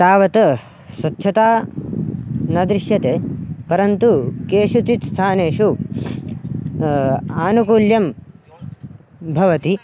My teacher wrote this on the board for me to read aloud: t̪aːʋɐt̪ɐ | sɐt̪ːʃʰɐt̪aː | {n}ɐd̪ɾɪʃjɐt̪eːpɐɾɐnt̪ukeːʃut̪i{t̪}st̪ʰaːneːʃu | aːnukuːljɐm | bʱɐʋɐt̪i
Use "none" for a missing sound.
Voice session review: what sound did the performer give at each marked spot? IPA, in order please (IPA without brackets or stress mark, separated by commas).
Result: n, t̪